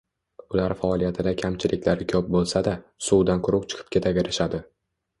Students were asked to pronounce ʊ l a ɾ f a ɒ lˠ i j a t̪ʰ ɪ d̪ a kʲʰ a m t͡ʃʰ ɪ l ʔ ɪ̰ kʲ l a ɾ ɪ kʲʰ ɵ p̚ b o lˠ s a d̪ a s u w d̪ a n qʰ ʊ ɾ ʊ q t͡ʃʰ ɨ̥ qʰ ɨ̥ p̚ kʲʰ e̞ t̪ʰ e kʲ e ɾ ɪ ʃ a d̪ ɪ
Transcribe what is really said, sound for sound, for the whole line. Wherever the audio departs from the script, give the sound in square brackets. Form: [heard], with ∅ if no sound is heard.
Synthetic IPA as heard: ʊ l a ɾ f a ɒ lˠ i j a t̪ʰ ɪ d̪ a kʲʰ a m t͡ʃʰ ɪ l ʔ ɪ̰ kʲ l a ɾ ɪ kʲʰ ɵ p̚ b o lˠ s a d̪ a s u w d̪ a n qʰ ʊ ɾ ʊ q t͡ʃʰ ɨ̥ qʰ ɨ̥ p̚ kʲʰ e̞ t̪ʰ [a] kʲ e ɾ ɪ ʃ a d̪ ɪ

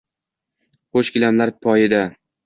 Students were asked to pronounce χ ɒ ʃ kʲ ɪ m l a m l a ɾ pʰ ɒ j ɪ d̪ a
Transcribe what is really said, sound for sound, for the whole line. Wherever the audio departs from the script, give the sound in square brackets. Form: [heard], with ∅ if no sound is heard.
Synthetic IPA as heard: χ [o] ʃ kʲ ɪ [∅] l a m l a ɾ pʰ ɒ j ɪ d̪ a

